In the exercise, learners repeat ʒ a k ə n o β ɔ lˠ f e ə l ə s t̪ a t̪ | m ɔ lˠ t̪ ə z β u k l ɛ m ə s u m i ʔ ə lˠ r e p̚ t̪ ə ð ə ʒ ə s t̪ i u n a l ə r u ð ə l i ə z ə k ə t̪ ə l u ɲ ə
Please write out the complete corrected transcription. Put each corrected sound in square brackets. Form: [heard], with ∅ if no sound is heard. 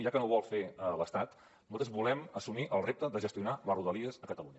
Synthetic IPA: ʒ a k ə n o β ɔ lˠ f e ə l ə s t̪ a t̪ | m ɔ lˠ t̪ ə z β u [∅] l ɛ m ə s u m i ʔ ə lˠ r e p̚ t̪ ə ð ə ʒ ə s t̪ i u n a l ə r u ð ə l i ə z ə k ə t̪ ə l u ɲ ə

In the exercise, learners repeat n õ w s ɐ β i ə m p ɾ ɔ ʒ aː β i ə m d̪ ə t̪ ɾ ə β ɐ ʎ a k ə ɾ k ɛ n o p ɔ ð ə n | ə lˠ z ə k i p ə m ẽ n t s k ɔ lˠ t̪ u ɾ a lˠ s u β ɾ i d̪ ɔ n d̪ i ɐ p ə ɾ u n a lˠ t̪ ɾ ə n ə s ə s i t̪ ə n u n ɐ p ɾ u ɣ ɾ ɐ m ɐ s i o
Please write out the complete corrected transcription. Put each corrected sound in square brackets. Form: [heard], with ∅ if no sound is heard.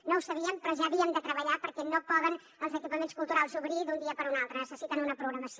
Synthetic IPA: n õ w s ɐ β i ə m p ɾ ɔ ʒ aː β i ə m d̪ ə t̪ ɾ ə β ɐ ʎ a [p] ə ɾ k ɛ n o p ɔ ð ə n | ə lˠ z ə k i p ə m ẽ n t s k [u] lˠ t̪ u ɾ a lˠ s u β ɾ i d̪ [u] n d̪ i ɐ p ə ɾ u n a lˠ t̪ ɾ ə n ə s ə s i t̪ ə n u n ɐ p ɾ u ɣ ɾ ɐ m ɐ s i o

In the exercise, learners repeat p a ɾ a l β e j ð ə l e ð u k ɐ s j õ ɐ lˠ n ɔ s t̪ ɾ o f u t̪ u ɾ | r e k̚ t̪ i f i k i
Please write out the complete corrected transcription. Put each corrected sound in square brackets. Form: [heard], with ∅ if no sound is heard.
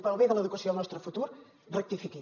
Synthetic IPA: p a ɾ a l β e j ð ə l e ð u k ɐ s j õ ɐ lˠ n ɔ s t̪ ɾ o f u t̪ u ɾ | r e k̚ t̪ i f i k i

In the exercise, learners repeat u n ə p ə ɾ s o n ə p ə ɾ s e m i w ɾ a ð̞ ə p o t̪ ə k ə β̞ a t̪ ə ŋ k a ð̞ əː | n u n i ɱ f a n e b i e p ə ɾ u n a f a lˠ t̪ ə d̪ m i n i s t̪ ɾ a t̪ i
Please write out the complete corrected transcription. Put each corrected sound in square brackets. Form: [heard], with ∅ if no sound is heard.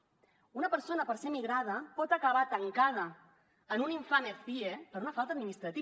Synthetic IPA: u n ə p ə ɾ s o n ə p ə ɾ s e m i [ɣ] ɾ a ð̞ ə p [ɔ] t̪ ə k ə β̞ a t̪ ə ŋ k a ð̞ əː | n u n i ɱ f a n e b i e p ə ɾ u n [ə] f a lˠ t̪ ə d̪ m i n i s t̪ ɾ [ə] t̪ i

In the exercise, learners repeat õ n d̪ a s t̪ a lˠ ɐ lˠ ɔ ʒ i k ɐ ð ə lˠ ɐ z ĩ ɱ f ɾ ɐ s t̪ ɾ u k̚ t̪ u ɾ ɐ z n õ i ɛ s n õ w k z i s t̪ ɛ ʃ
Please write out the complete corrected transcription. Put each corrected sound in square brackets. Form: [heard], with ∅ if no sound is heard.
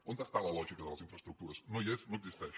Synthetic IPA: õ n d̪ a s t̪ a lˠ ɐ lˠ ɔ ʒ i k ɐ ð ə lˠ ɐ z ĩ ɱ f ɾ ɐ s t̪ ɾ u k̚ t̪ u ɾ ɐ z n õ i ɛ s n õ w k z i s t̪ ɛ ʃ

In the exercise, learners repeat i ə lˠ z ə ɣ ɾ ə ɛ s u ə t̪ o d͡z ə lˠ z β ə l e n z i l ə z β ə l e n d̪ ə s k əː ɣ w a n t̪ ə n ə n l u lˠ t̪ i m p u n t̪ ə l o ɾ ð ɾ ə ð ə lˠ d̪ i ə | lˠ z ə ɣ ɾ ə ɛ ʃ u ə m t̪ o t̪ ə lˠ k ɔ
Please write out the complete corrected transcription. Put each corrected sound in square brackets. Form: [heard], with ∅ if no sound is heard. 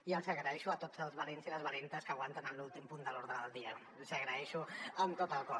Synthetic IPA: i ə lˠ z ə ɣ ɾ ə ɛ [ʃ] u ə t̪ o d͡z ə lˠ z β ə l e n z i l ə z β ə l e n [t̪] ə s k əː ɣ w a n t̪ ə n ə n l u lˠ t̪ i m p u n [d̪] ə l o ɾ ð ɾ ə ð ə lˠ d̪ i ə | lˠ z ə ɣ ɾ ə ɛ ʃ u ə m t̪ o t̪ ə lˠ k ɔ

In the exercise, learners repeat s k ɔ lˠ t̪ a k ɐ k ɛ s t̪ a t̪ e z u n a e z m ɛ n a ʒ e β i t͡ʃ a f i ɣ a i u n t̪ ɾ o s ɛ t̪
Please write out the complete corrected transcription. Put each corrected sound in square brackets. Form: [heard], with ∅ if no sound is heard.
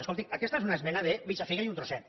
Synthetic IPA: s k [o] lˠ t̪ [i] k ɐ k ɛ s t̪ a [∅] e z u n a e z m ɛ n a [ð] e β i t͡ʃ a f i ɣ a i u n t̪ ɾ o s ɛ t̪

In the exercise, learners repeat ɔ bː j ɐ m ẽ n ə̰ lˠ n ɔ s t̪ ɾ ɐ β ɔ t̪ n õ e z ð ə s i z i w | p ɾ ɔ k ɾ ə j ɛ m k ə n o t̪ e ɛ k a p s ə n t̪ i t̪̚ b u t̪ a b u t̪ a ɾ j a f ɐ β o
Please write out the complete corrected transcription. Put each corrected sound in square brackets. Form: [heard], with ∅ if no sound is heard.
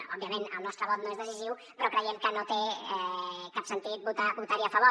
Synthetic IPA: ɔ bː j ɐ m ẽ n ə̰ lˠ n ɔ s t̪ ɾ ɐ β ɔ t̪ n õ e z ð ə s i z i w | p ɾ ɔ k ɾ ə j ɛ m k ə n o t̪ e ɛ k a p s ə n t̪ i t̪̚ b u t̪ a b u t̪ a ɾ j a f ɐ β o

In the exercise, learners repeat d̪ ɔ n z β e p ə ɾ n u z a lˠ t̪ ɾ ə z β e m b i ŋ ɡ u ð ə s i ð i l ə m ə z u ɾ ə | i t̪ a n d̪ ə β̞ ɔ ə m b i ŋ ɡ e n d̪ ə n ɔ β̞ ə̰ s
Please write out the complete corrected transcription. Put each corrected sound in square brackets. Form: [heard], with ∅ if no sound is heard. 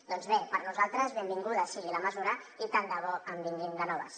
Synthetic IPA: d̪ ɔ n z β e p ə ɾ n u z a lˠ t̪ ɾ ə z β e m b i ŋ ɡ u ð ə s i [ɣ] i l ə m ə z u ɾ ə | i t̪ a n d̪ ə β̞ ɔ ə m b i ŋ ɡ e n d̪ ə n ɔ β̞ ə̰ s

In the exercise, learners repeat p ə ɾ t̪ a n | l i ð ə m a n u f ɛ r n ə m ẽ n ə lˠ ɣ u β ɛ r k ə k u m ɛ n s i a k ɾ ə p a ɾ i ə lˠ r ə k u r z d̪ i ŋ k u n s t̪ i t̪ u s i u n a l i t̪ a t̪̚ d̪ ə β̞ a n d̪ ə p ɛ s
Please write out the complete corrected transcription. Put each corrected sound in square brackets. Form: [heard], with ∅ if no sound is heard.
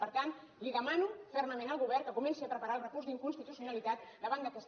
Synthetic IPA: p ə ɾ t̪ a n | l i ð ə m a n u f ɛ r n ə m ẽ n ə lˠ ɣ u β ɛ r k ə k u m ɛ n s i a [p] ɾ ə p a ɾ [a] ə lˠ r ə k u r z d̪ i ŋ k u n s t̪ i t̪ u s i u n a l i t̪ a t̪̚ d̪ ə β̞ a n d̪ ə [k] ɛ s

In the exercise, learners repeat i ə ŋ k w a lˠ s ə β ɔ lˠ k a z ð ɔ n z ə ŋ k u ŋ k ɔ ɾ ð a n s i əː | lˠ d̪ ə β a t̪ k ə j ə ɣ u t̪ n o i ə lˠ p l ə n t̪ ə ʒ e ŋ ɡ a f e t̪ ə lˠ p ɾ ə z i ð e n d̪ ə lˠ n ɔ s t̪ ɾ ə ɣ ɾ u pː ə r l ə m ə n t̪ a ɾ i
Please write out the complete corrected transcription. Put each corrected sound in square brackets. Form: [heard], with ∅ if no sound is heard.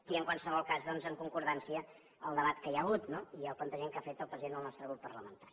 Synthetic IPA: i ə ŋ k w a lˠ s ə β ɔ lˠ k a z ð ɔ n z ə ŋ k u ŋ k [u] ɾ ð a n s i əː | lˠ d̪ ə β a t̪ k ə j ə ɣ u t̪ n o i ə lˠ p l ə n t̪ ə ʒ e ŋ [k] a f e t̪ ə lˠ p ɾ ə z i ð e n d̪ ə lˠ n ɔ s t̪ ɾ ə ɣ ɾ u pː ə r l ə m ə n t̪ a ɾ i

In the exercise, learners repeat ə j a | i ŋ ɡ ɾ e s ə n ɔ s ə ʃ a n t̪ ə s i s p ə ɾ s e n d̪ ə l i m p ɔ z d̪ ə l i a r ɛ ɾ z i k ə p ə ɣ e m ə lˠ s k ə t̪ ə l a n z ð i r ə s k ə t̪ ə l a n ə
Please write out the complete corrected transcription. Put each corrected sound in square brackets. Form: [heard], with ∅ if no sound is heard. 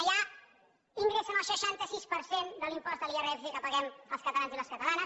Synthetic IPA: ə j a | i ŋ ɡ ɾ e s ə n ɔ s ə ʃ a n t̪ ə s i s p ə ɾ s e n d̪ ə l i m p ɔ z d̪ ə l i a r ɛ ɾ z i k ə p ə ɣ [ɛ] m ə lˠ s k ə t̪ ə l a n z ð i [l] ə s k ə t̪ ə l a n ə

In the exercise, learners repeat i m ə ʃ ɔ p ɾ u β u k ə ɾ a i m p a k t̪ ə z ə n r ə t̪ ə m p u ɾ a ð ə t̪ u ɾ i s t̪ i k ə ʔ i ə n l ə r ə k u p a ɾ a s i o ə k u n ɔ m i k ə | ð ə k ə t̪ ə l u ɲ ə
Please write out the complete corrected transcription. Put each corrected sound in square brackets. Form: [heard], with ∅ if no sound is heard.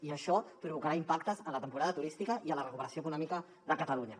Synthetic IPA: i [∅] ə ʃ ɔ p ɾ u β u k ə ɾ a i m p a k t̪ ə z ə n [l] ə t̪ ə m p u ɾ a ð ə t̪ u ɾ i s t̪ i k ə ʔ i ə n l ə r ə k u p [ə] ɾ [ə] s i o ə k u n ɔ m i k ə | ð ə k ə t̪ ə l u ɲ ə

